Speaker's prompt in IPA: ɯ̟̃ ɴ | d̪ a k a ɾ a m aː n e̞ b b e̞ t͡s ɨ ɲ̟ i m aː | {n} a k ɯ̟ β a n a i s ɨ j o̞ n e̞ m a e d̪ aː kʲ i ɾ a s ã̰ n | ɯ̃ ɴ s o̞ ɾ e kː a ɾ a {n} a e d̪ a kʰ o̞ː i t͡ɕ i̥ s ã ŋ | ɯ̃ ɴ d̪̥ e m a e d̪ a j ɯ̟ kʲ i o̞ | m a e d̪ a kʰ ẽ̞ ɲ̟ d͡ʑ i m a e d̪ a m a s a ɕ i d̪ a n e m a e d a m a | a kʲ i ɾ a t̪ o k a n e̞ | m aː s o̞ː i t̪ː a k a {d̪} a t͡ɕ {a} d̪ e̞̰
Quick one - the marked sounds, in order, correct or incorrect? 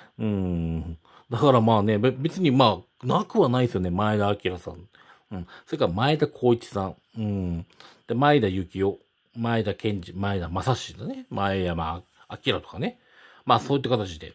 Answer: correct, incorrect: m, incorrect: t̪, incorrect: i

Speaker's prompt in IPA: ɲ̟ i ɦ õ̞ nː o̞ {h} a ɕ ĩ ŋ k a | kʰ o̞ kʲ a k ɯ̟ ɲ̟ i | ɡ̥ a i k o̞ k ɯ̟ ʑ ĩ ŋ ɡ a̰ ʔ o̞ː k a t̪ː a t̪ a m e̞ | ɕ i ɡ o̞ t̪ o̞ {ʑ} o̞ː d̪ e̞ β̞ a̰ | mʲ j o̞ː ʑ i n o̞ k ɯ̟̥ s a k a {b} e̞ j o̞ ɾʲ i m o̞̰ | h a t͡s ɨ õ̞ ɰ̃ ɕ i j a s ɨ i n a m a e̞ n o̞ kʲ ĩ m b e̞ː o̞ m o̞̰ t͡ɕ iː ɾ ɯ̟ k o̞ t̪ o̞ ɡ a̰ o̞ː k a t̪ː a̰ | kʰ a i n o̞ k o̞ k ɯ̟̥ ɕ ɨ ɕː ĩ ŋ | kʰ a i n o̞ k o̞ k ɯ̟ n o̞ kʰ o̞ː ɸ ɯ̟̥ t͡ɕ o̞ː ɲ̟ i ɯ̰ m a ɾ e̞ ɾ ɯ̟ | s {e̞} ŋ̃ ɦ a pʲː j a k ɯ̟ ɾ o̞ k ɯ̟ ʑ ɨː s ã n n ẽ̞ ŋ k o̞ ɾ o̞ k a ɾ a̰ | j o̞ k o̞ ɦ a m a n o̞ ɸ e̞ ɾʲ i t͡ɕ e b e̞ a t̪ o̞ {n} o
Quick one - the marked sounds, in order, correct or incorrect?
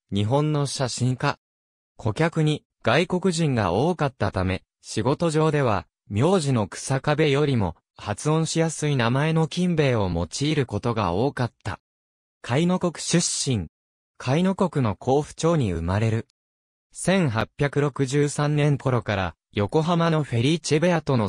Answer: incorrect: ɕ, correct, correct, incorrect: ẽ̞, correct

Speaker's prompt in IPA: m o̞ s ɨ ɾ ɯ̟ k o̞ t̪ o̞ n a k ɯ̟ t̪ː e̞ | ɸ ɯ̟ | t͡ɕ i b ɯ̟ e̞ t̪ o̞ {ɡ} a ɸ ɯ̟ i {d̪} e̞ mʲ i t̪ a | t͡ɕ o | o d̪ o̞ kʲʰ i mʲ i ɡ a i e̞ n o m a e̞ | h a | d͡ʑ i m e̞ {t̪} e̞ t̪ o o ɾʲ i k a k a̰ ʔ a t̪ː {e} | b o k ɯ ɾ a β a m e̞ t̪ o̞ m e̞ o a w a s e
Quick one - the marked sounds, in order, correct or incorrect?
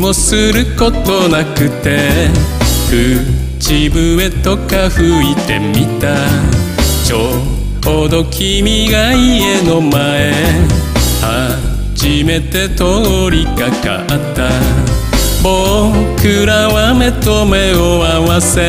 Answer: incorrect: k, incorrect: t̪, correct, incorrect: a

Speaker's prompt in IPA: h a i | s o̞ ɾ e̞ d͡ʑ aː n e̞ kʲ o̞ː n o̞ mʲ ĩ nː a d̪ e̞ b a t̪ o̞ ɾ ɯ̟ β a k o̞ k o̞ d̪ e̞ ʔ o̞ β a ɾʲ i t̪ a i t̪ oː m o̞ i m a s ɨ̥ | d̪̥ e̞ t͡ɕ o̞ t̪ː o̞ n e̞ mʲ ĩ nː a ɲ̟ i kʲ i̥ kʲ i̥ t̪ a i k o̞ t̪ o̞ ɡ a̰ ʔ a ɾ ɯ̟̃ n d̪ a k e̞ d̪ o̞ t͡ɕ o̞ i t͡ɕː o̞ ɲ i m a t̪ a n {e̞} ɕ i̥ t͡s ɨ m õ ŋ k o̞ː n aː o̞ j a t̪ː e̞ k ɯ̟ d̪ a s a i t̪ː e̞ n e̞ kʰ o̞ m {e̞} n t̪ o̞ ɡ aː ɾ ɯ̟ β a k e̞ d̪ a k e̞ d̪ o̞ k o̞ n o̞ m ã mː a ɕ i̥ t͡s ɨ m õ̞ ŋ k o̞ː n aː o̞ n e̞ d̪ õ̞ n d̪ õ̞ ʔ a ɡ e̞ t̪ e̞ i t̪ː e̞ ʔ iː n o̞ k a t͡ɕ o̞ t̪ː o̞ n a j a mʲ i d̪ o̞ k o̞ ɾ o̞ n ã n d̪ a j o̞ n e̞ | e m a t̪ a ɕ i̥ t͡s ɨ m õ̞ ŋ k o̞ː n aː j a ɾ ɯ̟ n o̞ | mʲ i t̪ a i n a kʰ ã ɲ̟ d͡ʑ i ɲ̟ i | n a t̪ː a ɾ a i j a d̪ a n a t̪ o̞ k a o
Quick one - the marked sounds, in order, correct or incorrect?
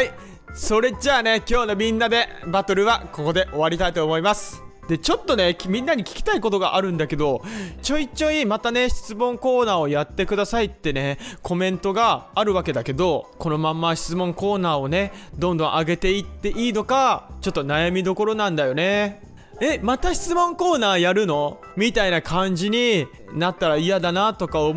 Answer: correct, incorrect: ẽ̞

